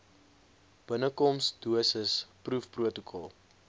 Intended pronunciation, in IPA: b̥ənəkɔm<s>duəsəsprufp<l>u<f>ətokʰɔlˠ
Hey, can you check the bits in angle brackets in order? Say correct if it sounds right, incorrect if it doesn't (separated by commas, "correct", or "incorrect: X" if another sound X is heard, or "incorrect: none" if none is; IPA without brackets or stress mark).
correct, incorrect: r, incorrect: none